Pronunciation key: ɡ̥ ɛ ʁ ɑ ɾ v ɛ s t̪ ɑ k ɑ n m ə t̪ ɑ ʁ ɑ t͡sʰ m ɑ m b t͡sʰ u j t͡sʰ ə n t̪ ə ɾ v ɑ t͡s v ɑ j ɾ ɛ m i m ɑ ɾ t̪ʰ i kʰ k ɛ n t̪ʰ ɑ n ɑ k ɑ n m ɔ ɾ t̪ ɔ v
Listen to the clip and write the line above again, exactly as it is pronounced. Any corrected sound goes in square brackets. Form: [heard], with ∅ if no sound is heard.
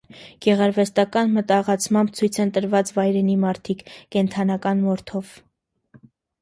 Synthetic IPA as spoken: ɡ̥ ɛ ʁ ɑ ɾ v ɛ s t̪ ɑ k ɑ n m ə t̪ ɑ ʁ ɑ t͡sʰ m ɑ m b t͡sʰ u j t͡sʰ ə n t̪ ə ɾ v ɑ t͡s v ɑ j ɾ ɛ [n] i m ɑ ɾ t̪ʰ i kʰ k ɛ n t̪ʰ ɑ n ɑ k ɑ n m ɔ ɾ [t̪ʰ] ɔ v

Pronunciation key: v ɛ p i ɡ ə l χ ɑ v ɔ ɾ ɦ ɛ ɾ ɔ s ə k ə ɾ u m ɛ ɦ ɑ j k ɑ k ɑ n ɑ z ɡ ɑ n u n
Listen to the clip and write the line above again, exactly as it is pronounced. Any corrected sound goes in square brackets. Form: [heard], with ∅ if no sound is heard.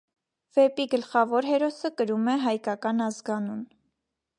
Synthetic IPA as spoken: v ɛ p i ɡ ə l χ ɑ v ɔ ɾ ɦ ɛ ɾ ɔ s ə k ə ɾ u m ɛ ɦ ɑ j k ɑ k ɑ n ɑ z ɡ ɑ n u n

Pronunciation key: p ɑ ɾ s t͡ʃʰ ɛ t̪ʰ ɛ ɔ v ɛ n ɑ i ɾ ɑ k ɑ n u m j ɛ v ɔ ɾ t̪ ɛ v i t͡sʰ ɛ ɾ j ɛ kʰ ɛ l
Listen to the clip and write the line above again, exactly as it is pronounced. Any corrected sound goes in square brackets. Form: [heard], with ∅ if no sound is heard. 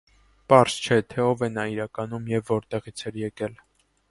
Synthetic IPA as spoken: p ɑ ɾ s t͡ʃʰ ɛ t̪ʰ ɛ ɔ v ɛ n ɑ i ɾ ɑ k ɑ n u m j ɛ [vː] ɔ ɾ t̪ ɛ [ʁ] i t͡sʰ ɛ ɾ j ɛ [k] ɛ l

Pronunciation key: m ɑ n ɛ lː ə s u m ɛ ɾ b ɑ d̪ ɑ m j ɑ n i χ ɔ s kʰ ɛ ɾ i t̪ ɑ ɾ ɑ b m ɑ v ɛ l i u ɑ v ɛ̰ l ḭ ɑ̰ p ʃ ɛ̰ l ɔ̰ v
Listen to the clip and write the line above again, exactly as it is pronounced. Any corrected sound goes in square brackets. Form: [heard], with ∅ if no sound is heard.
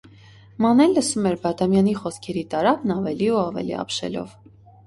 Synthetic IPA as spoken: m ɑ n ɛ lː ə s u m ɛ ɾ b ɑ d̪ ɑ m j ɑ n i χ ɔ s kʰ ɛ ɾ i t̪ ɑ ɾ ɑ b [n] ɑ v ɛ l i u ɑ v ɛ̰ l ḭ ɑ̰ p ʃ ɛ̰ l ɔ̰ v

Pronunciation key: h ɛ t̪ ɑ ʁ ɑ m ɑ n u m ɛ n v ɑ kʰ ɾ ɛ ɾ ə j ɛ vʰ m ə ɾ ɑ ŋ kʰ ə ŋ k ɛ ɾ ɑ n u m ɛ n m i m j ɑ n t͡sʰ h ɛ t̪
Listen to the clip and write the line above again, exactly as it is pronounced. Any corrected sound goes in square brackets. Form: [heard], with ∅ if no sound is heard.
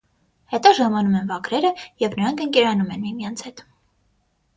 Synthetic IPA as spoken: h ɛ t̪ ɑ [ʒ] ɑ m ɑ n u m ɛ n v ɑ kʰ ɾ ɛ ɾ ə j ɛ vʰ [n] ə ɾ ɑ ŋ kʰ ə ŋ k ɛ ɾ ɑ n u m ɛ n m i m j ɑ n t͡sʰ h ɛ t̪

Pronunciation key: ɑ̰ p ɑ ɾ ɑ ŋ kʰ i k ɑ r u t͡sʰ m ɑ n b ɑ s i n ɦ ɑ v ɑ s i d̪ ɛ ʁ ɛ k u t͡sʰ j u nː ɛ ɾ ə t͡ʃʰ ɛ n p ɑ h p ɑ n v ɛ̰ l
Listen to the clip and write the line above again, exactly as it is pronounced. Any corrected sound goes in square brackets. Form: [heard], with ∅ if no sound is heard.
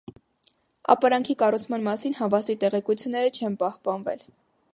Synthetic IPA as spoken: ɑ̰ p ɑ ɾ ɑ ŋ kʰ i k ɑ r u t͡sʰ m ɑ n [m] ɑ s i n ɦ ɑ v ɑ s i [t̪] ɛ ʁ ɛ k u t͡sʰ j u nː ɛ ɾ ə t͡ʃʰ ɛ n p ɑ h p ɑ n v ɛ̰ l

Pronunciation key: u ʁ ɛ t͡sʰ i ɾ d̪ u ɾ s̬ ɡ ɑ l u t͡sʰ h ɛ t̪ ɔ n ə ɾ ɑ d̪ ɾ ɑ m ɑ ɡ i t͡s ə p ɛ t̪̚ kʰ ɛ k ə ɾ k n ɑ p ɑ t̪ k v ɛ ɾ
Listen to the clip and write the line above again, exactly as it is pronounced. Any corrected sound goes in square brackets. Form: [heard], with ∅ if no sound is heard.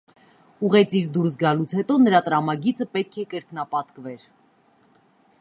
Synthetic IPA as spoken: u ʁ ɛ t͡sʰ i ɾ d̪ u ɾ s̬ ɡ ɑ l u t͡sʰ h ɛ t̪ ɔ n ə ɾ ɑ [t̪] ɾ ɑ m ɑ ɡ i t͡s ə p ɛ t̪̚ kʰ ɛ k ə ɾ k n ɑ p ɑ t̪ k v ɛ ɾ

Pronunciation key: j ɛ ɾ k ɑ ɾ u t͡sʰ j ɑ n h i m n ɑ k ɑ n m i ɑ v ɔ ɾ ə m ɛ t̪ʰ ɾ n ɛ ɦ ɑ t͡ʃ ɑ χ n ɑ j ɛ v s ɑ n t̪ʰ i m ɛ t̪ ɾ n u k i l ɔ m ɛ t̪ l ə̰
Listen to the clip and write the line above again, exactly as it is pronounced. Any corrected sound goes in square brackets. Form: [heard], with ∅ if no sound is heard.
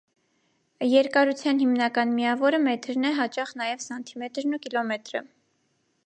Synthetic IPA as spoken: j ɛ ɾ k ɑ ɾ u t͡sʰ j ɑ n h i m n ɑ k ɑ n m i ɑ v ɔ ɾ ə m ɛ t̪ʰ ɾ n ɛ ɦ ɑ t͡ʃ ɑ χ n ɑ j ɛ v s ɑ n t̪ʰ i m ɛ t̪ ɾ n u k i l ɔ m ɛ t̪ [ɾ] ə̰

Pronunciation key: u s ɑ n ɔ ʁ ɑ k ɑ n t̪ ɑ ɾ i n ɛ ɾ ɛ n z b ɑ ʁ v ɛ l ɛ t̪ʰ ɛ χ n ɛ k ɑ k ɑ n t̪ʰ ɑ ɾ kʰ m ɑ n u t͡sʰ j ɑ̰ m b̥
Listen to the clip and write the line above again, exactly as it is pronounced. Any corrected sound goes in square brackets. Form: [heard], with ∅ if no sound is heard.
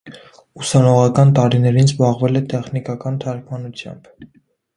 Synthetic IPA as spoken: u s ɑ n ɔ ʁ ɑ k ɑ n t̪ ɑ ɾ i n ɛ ɾ [i] n z b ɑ ʁ v ɛ l ɛ [t̪] ɛ χ n [i] k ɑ k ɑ n t̪ʰ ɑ ɾ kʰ m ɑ n u t͡sʰ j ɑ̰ m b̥

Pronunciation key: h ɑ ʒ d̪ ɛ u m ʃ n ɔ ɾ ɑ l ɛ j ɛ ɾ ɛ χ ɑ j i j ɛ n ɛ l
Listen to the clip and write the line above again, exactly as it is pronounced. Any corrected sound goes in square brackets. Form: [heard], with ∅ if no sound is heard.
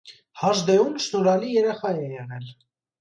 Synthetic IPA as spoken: h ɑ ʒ d̪ ɛ u m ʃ n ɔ ɾ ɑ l [i] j ɛ ɾ ɛ χ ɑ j [ɛ] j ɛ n ɛ l

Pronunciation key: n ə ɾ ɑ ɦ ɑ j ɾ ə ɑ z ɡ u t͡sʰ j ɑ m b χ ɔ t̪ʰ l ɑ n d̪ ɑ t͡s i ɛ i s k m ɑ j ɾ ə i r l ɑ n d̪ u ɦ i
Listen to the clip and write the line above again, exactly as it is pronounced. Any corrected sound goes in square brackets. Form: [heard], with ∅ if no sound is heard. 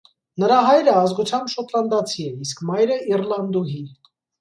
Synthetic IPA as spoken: n ə ɾ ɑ ɦ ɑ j ɾ ə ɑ z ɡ u t͡sʰ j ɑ m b [ʃ] ɔ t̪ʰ l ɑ n d̪ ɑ [t͡sʰ] i ɛ i s k m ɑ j ɾ ə i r l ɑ n d̪ u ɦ i

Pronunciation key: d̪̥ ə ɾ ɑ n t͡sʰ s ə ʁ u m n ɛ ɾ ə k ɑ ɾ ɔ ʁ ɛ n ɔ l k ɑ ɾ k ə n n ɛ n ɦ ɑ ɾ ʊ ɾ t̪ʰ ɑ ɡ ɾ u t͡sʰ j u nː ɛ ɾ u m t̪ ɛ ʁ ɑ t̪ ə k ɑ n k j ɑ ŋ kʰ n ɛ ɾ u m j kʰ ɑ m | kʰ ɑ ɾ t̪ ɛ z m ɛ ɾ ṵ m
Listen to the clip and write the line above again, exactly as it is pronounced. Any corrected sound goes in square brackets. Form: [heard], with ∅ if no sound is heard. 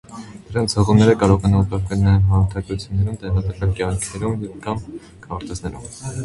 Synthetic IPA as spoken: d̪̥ ə ɾ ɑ n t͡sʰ [h] ə ʁ u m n ɛ ɾ ə k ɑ ɾ ɔ ʁ ɛ n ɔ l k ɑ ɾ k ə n n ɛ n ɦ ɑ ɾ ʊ ɾ t̪ʰ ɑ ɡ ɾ u t͡sʰ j u nː ɛ ɾ u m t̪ ɛ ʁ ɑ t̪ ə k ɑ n k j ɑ ŋ kʰ n ɛ ɾ u m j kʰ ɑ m | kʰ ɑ ɾ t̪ ɛ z [n] ɛ ɾ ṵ m

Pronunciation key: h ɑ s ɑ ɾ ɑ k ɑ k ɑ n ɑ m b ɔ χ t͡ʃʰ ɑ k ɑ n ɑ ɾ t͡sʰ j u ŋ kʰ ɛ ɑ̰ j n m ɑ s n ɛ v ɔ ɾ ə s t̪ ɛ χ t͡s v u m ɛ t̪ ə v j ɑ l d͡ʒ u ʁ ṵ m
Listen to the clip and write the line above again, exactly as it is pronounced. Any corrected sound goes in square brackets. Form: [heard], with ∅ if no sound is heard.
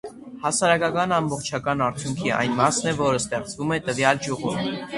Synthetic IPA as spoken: h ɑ s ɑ ɾ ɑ k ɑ k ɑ n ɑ m b ɔ χ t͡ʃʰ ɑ k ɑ n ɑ ɾ t͡sʰ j u ŋ kʰ [i] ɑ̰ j n m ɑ s n ɛ v ɔ ɾ ə s t̪ ɛ χ t͡s v u m ɛ t̪ ə v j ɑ l d͡ʒ u ʁ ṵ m

